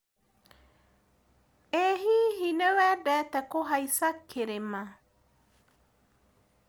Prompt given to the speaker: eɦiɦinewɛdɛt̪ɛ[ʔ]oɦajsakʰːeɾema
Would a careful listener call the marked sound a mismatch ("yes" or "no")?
yes